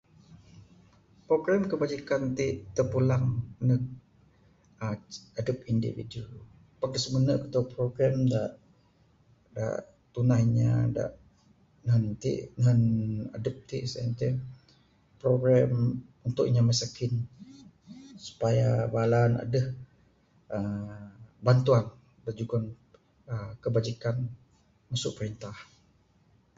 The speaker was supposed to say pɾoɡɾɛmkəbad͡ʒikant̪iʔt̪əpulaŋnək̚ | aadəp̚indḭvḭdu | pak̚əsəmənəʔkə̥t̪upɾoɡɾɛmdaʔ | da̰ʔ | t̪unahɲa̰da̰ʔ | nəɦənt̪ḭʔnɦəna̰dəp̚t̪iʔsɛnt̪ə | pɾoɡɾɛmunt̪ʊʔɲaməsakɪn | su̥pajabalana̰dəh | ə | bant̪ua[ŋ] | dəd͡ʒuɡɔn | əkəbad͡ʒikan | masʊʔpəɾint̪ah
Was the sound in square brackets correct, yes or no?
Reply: no